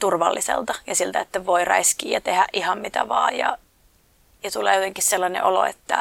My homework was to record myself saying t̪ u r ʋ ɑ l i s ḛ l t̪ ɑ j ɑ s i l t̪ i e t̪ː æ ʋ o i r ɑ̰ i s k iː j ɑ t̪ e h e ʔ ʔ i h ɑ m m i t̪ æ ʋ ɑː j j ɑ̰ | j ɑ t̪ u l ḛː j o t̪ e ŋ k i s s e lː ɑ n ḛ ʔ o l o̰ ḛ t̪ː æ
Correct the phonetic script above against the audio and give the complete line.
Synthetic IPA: t̪ u r ʋ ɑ lː i s ḛ l t̪ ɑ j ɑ s i l t̪ æ e t̪ː æ ʋ o i r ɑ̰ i s k iː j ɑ t̪ e h æ ʔ ʔ i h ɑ m m i t̪ æ ʋ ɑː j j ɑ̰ | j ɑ t̪ u l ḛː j o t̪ e ŋ k i s s e lː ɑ n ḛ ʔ o l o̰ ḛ t̪ː æ